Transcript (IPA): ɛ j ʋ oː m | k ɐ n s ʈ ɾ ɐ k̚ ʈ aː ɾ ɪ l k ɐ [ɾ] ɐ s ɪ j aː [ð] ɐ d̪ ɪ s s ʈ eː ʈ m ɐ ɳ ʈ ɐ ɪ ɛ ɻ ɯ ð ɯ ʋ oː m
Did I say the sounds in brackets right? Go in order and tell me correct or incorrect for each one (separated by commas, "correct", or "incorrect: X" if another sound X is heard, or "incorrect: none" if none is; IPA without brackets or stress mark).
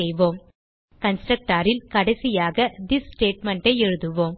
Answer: incorrect: ɽ, incorrect: ɣ